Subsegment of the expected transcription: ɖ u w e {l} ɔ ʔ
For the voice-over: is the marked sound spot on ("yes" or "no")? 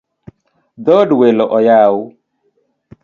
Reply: yes